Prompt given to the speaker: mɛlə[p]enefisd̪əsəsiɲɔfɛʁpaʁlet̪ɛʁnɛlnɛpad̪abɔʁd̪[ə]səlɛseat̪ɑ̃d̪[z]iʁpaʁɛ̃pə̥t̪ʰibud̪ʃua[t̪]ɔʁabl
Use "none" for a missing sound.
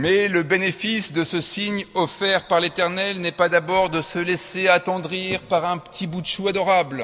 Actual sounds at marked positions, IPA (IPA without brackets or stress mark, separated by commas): b, ə, ʁ, d̪